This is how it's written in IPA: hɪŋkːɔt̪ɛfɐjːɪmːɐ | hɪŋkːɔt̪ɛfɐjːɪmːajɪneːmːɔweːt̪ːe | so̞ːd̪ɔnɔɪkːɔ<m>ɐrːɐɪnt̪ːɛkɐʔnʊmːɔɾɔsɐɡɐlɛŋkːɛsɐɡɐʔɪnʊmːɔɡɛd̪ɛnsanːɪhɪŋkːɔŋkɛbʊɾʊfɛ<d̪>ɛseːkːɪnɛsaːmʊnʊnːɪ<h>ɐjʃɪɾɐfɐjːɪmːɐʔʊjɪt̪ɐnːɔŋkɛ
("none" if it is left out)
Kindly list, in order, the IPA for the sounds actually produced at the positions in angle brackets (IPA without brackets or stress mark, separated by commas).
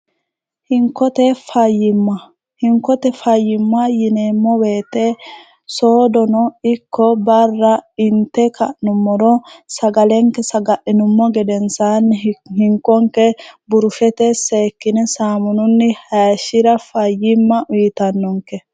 b, t̪, h